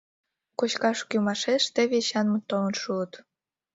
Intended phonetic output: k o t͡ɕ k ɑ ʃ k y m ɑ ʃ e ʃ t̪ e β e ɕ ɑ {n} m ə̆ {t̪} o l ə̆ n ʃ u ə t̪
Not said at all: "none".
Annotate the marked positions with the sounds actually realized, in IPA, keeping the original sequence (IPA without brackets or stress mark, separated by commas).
n, t̪